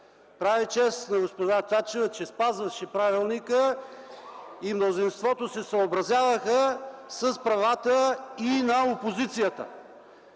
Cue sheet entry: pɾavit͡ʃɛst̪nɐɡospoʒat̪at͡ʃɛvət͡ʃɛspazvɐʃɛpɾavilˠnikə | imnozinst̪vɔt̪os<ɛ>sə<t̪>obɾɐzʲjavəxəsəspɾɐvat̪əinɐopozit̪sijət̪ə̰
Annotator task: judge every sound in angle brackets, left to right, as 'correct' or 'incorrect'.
correct, incorrect

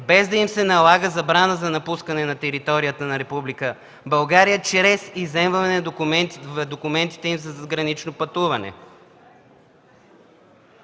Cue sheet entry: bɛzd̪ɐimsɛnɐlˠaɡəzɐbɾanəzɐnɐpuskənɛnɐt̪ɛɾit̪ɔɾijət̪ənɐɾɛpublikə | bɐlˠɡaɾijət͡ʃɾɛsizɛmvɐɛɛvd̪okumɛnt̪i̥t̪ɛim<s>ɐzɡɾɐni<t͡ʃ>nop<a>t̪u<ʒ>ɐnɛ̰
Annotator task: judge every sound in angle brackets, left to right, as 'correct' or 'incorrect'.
incorrect, correct, incorrect, incorrect

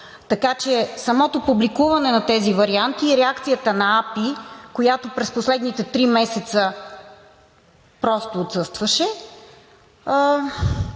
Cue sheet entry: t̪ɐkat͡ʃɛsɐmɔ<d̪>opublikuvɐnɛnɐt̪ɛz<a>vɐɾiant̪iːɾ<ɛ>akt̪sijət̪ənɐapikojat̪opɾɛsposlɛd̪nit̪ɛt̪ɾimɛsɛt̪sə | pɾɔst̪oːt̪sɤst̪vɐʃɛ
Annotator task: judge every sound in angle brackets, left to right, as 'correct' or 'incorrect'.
incorrect, incorrect, correct

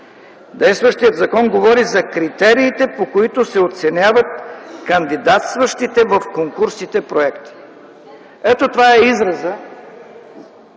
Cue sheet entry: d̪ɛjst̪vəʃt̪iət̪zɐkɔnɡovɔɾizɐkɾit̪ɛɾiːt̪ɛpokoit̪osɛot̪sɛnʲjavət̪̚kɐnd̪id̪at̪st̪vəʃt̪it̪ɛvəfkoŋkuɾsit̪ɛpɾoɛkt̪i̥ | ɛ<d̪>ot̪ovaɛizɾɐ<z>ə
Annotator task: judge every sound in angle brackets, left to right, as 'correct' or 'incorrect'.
incorrect, correct

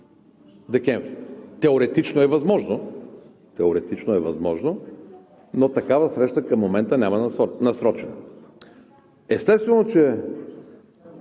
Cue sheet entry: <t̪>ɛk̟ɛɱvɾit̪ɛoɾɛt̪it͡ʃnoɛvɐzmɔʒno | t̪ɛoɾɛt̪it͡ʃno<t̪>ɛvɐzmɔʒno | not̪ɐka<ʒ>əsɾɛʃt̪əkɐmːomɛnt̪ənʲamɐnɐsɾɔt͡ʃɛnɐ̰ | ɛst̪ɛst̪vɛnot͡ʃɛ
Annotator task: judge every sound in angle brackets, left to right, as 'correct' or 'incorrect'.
incorrect, incorrect, incorrect

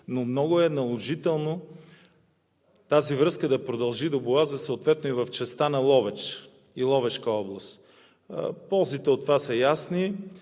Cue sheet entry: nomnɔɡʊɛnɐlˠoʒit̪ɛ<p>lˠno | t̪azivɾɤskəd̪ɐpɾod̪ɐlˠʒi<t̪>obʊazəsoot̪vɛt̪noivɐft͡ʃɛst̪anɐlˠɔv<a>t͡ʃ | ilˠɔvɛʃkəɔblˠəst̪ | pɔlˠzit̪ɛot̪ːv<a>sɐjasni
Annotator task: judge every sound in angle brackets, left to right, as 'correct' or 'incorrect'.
incorrect, incorrect, incorrect, correct

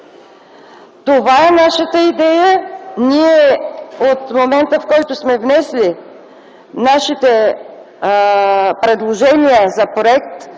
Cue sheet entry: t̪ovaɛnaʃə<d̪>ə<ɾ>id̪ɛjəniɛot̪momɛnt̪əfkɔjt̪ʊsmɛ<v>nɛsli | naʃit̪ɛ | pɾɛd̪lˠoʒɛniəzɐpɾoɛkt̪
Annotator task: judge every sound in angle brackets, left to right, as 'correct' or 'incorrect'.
incorrect, incorrect, correct

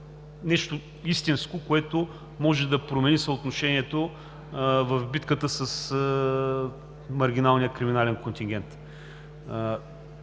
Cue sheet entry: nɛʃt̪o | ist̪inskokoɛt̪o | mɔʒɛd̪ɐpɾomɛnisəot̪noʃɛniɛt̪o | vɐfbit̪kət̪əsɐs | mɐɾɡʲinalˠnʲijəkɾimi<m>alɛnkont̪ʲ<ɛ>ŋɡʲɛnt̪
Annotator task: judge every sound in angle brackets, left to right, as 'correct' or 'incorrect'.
incorrect, incorrect

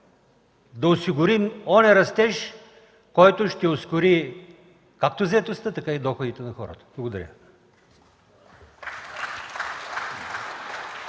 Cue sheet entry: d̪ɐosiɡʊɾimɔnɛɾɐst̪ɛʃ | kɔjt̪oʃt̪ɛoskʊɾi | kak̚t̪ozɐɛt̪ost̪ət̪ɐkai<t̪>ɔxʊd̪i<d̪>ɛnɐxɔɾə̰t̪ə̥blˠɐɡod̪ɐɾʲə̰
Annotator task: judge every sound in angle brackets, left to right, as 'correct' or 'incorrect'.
incorrect, incorrect

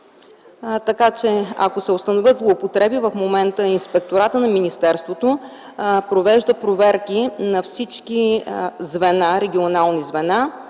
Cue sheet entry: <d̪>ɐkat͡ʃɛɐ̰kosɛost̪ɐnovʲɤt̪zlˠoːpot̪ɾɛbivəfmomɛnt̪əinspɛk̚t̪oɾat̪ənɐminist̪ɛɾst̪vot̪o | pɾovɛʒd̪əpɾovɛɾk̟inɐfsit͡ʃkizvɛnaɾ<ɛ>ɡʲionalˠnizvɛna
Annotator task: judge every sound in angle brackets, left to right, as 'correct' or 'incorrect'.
incorrect, correct

